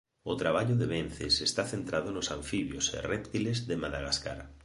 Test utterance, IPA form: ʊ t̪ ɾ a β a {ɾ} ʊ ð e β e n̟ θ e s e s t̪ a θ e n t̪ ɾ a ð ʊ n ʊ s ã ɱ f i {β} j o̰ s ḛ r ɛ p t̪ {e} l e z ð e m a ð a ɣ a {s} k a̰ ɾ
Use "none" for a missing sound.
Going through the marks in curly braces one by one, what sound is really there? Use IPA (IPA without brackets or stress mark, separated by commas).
ʎ, β, i, s